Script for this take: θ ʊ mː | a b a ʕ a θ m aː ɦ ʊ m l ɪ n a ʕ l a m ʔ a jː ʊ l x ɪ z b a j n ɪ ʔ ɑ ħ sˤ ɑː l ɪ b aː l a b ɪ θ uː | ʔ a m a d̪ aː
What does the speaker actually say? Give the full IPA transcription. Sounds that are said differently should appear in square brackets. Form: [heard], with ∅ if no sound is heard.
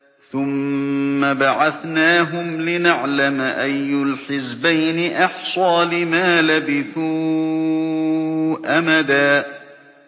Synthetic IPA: θ ʊ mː | a b a ʕ a θ [n] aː ɦ ʊ m l ɪ n a ʕ l a m ʔ a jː ʊ l [ħ] ɪ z b a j n ɪ ʔ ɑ ħ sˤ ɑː l ɪ [m] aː l a b ɪ θ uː | ʔ a m a d̪ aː